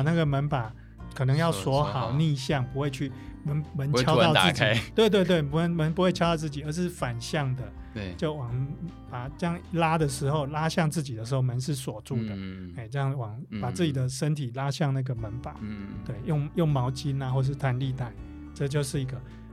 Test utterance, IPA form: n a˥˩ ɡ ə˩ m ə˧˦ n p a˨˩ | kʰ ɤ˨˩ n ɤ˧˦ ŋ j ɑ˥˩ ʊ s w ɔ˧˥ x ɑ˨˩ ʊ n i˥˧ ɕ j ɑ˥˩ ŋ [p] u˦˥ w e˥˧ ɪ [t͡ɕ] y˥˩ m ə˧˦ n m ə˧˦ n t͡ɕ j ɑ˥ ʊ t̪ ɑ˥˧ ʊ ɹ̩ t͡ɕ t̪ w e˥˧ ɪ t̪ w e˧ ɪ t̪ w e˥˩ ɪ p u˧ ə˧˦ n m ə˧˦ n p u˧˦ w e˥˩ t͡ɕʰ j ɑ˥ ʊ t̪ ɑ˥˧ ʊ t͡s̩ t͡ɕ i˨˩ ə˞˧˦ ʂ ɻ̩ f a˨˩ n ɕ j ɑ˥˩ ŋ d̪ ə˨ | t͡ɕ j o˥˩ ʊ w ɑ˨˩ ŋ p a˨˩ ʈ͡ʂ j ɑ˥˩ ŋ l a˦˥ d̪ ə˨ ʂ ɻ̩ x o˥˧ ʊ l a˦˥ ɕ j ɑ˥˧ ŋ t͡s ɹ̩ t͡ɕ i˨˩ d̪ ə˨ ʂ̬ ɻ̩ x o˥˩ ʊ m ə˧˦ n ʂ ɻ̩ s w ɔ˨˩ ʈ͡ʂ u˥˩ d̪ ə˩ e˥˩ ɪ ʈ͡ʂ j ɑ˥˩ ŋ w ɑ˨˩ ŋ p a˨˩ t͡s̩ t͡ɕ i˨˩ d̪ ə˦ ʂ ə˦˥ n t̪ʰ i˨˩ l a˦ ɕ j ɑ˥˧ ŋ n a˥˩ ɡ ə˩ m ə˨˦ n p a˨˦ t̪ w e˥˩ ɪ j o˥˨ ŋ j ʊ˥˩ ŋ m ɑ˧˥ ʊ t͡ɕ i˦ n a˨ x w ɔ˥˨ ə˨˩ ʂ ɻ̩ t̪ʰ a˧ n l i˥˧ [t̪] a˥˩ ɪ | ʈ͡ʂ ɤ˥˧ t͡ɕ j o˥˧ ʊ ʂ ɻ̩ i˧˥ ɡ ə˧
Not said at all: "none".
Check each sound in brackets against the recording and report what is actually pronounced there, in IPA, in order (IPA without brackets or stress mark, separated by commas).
p, t͡ɕʰ, t̪